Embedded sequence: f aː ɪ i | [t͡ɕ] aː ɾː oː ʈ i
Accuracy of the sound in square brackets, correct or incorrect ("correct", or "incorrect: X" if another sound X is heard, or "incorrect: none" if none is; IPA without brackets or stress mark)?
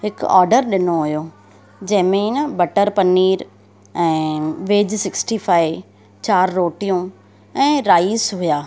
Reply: correct